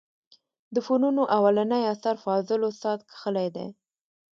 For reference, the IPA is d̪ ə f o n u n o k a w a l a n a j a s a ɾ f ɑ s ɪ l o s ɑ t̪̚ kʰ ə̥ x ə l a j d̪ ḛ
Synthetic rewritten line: d̪ ə f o n u n o ʔ a w a l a n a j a s a ɾ f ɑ z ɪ l o s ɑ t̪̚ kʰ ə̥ x ə l a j d̪ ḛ